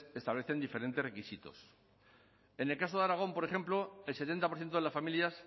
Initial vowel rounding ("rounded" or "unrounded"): unrounded